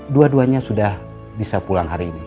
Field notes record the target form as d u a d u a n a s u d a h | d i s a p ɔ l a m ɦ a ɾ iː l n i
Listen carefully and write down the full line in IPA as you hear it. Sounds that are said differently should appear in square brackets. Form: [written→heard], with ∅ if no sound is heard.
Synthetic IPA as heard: d u a d u a [n→ɲ] a s u d a h | [d→b] i s a p [ɔ→u] l a [m→ŋ] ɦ a ɾ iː [l→∅] n i

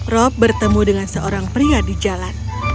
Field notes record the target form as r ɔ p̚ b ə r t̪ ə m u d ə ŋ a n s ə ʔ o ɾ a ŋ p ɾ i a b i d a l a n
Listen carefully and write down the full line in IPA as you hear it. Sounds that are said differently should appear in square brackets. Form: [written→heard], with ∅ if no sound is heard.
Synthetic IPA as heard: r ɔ p̚ b ə r t̪ ə m u d ə ŋ a n s ə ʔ o ɾ a ŋ p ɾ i a [b→d] i [d→d͡ʒ] a l a n

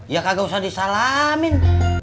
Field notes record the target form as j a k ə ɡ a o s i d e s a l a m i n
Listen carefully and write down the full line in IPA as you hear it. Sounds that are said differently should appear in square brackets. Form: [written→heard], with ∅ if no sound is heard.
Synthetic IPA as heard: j a k [ə→a] ɡ a [o→u] s [i→a] d [e→i] s a l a m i n

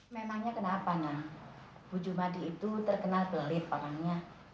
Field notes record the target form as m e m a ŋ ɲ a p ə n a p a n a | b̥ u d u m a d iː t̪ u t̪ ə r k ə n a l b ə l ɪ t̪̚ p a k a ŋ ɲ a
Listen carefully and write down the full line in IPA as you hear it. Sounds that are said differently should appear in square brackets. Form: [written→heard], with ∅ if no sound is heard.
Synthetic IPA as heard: m e m a ŋ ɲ a [p→k] ə n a p a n a | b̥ u [d→d͡ʒ] u m a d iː t̪ u t̪ ə r k ə n a l b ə l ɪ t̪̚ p a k a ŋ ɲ a

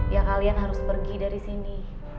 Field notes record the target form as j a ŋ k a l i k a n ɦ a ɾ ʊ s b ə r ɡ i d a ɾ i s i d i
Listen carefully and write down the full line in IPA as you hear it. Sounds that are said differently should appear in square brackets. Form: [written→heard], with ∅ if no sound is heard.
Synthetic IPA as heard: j a ŋ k a l i [k→∅] a n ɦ a ɾ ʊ s [b→p] ə r ɡ i d a ɾ i s i [d→n] i

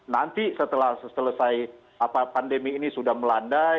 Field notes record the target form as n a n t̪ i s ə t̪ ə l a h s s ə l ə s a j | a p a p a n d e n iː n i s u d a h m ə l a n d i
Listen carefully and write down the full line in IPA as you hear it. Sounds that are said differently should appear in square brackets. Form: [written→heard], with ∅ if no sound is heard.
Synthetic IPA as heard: n a n t̪ i s ə t̪ ə l a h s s ə l ə s a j | a p a p a n d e [n→m] iː n i s u d a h m ə l a n d [i→a]

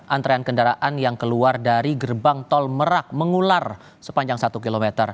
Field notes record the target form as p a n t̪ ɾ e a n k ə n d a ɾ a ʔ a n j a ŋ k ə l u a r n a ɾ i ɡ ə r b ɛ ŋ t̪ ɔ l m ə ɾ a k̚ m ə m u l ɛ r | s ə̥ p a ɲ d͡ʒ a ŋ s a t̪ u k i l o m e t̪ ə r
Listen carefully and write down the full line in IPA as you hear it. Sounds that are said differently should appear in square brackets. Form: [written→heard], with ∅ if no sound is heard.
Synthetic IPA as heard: [p→ʔ] a n t̪ ɾ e a n k ə n d a ɾ a ʔ a n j a ŋ k ə l u a r [n→d] a ɾ i ɡ ə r b [ɛ→a] ŋ t̪ ɔ l m ə ɾ a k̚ m ə [m→ŋ] u l [ɛ→a] r | s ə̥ p a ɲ d͡ʒ a ŋ s a t̪ u k i l o m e t̪ ə r

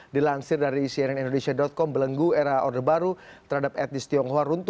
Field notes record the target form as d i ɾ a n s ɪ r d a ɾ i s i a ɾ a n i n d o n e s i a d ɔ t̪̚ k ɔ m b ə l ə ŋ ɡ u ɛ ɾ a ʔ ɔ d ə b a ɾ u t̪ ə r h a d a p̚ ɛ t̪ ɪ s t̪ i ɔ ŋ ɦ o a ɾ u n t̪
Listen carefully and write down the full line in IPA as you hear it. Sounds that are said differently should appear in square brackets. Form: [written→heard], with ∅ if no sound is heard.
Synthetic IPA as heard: d i [ɾ→l] a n s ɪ r d a ɾ i s i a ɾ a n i n d o n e s i a d ɔ t̪̚ k ɔ m b ə l ə ŋ ɡ u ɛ ɾ a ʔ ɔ d ə b a ɾ u t̪ ə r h a d a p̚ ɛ t̪ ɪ s t̪ i ɔ ŋ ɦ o a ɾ u n t̪

